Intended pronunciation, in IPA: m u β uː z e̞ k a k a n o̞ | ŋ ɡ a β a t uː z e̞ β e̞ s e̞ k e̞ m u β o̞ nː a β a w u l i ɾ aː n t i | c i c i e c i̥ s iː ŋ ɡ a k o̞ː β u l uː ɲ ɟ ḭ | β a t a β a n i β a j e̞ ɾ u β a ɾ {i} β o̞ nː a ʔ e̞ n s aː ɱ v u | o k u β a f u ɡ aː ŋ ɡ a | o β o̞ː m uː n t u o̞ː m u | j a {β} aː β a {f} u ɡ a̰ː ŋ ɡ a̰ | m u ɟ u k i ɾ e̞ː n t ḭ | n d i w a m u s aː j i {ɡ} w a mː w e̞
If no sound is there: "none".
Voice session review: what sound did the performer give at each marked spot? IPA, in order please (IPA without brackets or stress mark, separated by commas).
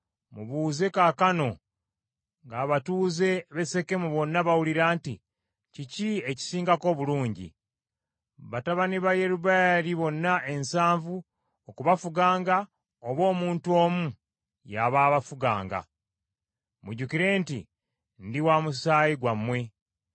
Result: i, β, f, ɡ